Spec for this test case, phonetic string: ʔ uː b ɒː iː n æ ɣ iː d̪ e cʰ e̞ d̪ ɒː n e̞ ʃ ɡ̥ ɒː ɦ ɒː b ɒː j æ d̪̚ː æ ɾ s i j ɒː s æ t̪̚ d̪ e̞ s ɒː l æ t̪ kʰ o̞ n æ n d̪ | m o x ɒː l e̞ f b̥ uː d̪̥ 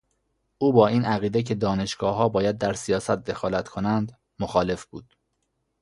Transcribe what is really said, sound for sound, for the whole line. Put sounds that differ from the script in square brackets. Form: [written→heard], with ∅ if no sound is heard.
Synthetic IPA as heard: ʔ uː b ɒː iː n æ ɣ iː d̪ e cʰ e̞ d̪ ɒː n e̞ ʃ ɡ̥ ɒː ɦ ɒː b ɒː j æ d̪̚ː æ ɾ s i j ɒː s æ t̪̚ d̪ e̞ [s→x] ɒː l æ t̪ kʰ o̞ n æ n d̪ | m o x ɒː l e̞ f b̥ uː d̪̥